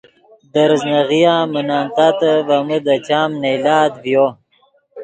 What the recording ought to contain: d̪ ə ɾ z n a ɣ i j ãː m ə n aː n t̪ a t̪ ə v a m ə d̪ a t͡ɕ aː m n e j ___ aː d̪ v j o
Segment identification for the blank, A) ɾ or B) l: B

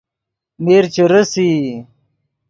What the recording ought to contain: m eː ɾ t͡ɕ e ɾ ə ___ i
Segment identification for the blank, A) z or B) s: B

